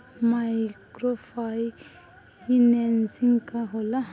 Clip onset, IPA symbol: m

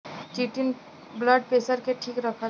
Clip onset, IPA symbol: t͡ʃ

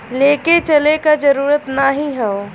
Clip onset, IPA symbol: l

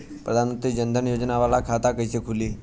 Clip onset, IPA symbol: p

